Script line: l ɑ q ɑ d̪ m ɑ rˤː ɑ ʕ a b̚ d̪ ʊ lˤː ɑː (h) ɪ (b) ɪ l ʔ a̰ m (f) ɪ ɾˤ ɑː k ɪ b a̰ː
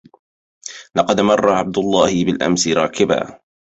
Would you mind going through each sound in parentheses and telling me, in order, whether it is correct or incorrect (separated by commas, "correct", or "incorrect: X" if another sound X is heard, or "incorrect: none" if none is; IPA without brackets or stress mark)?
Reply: correct, correct, incorrect: s